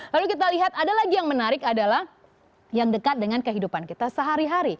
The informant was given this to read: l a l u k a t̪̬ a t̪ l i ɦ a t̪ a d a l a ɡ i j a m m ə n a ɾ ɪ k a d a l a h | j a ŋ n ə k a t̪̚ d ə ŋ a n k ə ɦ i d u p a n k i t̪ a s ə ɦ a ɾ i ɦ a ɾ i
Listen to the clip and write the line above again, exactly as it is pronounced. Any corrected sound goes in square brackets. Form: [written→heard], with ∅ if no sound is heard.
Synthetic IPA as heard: l a l u k [a→i] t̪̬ a [t̪→∅] l i ɦ a t̪ a d a l a ɡ i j a [m→ŋ] m ə n a ɾ ɪ k a d a l a h | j a ŋ [n→d] ə k a t̪̚ d ə ŋ a n k ə ɦ i d u p a n k i t̪ a s ə ɦ a ɾ i ɦ a ɾ i